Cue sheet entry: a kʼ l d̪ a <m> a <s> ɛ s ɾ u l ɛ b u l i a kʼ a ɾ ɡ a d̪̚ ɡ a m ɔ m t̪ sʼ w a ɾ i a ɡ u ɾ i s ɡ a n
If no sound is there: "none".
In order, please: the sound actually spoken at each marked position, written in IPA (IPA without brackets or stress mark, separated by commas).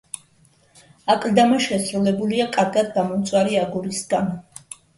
m, ʃ